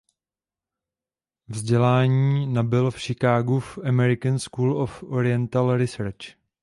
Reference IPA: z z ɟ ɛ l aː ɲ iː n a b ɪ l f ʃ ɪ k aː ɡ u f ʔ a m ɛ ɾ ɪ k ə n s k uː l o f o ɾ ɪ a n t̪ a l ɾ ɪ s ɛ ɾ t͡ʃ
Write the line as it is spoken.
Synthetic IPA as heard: v z ɟ ɛ l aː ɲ iː n a b ɪ l f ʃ ɪ k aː ɡ u f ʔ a m ɛ ɾ ɪ k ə n s k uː l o f o ɾ ɪ ɛ n t̪ a l ɾ ɪ s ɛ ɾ t͡ʃ